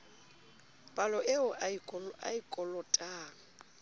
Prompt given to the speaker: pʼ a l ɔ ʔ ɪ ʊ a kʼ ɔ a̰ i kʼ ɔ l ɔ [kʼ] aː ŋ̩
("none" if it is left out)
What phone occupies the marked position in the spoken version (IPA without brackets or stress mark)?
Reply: tʼ